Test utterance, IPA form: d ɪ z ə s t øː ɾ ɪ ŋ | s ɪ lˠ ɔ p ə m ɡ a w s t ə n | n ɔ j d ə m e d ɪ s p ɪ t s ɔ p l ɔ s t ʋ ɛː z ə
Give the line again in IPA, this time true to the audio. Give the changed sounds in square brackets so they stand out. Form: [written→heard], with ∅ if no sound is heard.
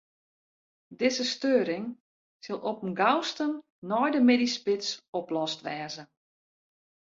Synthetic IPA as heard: d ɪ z ə s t øː ɾ ɪ ŋ | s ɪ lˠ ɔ p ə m ɡ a w s t ə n | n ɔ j d ə m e d [ɪ→i] s p ɪ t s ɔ p l ɔ s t ʋ ɛː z ə